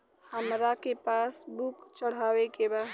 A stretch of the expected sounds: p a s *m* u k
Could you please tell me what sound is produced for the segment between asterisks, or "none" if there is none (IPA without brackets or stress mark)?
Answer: b